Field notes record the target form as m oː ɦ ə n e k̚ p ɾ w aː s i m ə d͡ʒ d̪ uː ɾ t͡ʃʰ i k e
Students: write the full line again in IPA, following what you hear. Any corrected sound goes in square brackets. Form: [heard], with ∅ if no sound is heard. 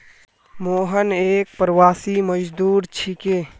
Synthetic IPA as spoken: m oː ɦ ə n e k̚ p ɾ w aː s i m ə d͡ʒ d̪ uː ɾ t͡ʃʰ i k e